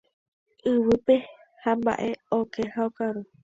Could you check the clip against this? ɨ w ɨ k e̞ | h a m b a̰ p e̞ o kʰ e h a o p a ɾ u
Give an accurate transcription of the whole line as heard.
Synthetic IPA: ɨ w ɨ p e̞ | h a m b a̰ ʔ e̞ o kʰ e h a o k a ɾ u